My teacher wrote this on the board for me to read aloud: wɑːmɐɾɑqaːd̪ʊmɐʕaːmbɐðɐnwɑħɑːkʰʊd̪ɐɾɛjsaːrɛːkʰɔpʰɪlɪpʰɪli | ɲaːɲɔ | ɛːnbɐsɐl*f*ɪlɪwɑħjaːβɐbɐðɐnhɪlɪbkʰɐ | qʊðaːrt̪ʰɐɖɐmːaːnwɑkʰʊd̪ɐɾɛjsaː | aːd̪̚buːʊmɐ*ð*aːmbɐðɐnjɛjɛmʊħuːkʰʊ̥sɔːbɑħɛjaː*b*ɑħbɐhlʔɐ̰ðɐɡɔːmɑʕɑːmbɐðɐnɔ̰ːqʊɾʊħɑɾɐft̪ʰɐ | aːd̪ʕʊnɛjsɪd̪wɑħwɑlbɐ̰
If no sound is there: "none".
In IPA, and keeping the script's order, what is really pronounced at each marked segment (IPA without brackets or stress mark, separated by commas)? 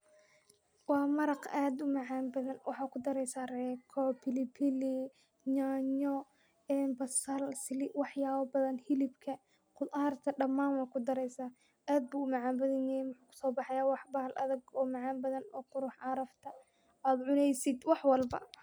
s, ʕ, w